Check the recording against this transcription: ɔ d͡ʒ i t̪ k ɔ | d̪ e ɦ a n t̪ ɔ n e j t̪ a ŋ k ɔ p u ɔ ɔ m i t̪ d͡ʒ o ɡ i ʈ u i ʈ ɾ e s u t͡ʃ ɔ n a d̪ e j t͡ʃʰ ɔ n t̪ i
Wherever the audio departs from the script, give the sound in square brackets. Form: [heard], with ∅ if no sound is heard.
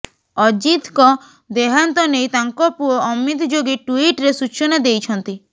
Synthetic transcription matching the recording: ɔ d͡ʒ i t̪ k ɔ | d̪ e ɦ a n t̪ ɔ n e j t̪ a ŋ k ɔ p u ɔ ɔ m i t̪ d͡ʒ o ɡ i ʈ u i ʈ ɾ e s u t͡ʃ ɔ n a d̪ e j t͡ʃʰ ɔ n t̪ i